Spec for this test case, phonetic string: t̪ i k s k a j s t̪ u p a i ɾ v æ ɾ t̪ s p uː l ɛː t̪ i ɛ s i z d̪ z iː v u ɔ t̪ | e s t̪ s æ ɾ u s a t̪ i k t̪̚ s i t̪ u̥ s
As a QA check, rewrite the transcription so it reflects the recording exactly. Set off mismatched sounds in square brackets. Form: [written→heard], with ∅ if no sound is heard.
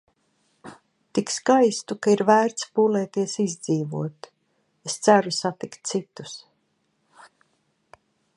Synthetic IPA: t̪ i k s k a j s t̪ u [p→k] a i ɾ v [æ→æː] ɾ t̪ s p uː l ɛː t̪ i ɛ s i z d̪ z iː v u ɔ t̪ | e s t̪ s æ ɾ u s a t̪ i k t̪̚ s i t̪ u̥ s